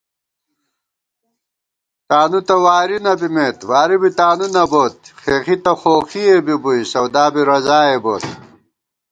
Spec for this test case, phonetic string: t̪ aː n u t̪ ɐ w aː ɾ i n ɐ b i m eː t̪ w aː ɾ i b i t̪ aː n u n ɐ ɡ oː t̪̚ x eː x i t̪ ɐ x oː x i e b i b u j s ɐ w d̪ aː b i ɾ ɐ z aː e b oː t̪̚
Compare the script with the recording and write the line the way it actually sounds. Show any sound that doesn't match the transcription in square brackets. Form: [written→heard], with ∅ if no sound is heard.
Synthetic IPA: t̪ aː n u t̪ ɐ w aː ɾ i n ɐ b i m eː t̪ w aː ɾ i b i t̪ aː n u n ɐ [ɡ→b] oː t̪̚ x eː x i t̪ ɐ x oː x i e b i b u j s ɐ w d̪ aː b i ɾ ɐ z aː e b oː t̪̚